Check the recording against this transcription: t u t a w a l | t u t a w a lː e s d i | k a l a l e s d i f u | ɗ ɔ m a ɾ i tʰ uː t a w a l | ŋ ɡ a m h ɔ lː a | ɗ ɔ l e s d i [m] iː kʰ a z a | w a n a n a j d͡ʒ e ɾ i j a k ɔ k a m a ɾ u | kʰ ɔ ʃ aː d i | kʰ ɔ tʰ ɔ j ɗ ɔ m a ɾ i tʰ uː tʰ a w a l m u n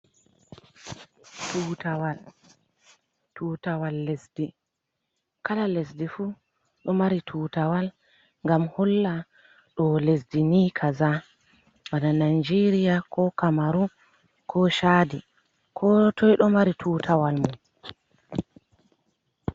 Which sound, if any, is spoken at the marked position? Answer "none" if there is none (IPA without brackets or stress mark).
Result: n